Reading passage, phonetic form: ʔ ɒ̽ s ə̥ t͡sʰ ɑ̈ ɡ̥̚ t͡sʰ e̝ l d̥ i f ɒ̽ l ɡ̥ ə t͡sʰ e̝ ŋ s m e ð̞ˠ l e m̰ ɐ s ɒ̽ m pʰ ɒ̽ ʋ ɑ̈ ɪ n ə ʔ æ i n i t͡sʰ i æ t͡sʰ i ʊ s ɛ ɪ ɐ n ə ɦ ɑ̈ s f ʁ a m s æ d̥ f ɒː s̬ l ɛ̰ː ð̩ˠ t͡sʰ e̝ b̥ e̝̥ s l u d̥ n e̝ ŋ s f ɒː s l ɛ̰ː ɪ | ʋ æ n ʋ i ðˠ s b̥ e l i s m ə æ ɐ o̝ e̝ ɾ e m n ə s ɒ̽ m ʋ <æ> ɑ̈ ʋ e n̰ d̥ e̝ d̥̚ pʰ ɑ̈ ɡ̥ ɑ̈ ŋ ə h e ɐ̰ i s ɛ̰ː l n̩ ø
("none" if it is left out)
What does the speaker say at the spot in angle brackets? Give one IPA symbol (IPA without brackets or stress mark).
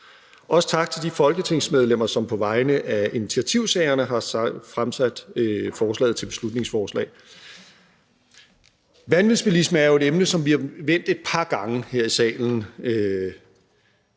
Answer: i